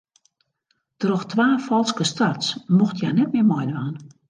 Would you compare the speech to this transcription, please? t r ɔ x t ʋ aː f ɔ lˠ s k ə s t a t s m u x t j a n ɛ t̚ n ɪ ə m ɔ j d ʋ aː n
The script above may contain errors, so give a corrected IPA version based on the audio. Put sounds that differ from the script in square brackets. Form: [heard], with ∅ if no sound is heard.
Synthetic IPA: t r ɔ x t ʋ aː f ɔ lˠ s k ə s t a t s m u x t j a n ɛ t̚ [m] ɪ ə m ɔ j d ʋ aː n